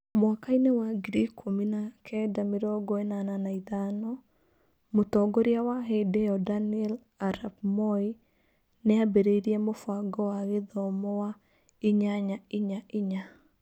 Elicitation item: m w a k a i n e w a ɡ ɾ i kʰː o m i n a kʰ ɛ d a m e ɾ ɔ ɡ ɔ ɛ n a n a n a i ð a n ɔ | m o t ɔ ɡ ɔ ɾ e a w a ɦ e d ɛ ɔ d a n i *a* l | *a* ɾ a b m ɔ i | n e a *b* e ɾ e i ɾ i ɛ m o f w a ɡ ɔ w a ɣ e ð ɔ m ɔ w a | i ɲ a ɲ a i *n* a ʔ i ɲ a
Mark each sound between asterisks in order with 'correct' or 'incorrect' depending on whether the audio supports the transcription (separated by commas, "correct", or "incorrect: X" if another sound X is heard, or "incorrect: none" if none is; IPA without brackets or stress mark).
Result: incorrect: ɛ, correct, correct, incorrect: ɲ